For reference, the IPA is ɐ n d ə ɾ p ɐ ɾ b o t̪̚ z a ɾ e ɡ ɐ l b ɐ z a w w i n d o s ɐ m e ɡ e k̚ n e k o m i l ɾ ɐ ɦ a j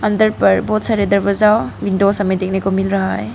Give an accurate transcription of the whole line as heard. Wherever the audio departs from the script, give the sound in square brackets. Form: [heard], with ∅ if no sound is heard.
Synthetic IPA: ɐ n d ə ɾ p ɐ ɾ b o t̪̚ [s] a ɾ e [d] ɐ [ɾ] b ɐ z a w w i n d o s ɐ m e [d] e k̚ n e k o m i l ɾ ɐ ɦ a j